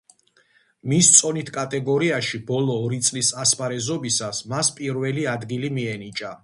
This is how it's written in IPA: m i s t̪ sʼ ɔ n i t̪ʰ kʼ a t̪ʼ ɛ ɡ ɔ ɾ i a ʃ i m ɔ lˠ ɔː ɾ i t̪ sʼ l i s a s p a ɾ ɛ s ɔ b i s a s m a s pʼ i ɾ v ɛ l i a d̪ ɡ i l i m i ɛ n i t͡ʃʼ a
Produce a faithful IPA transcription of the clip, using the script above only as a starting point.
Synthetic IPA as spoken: m i s t̪ sʼ ɔ n i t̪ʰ kʼ a t̪ʼ ɛ ɡ ɔ ɾ i a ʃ i b ɔ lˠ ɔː ɾ i t̪ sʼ l i s a s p a ɾ ɛ z ɔ b i s a s m a s pʼ i ɾ v ɛ l i a d̪ ɡ i l i m i ɛ n i t͡ʃʼ a